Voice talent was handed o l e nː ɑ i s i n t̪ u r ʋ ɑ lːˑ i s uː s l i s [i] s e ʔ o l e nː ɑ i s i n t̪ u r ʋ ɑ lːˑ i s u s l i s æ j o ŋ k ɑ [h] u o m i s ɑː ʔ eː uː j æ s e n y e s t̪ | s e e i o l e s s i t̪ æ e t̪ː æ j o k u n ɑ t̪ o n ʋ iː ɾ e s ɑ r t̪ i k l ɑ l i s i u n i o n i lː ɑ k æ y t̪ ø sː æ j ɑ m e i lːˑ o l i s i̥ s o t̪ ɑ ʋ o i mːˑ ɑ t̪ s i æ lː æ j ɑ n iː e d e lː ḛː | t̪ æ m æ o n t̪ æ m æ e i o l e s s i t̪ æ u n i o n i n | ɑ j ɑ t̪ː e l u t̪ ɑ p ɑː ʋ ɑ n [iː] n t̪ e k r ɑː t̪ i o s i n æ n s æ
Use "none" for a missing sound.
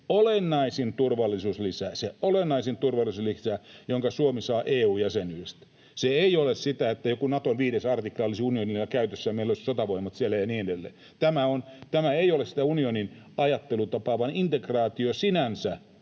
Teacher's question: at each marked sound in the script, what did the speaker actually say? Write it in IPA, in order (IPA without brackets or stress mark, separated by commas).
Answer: æ, s, i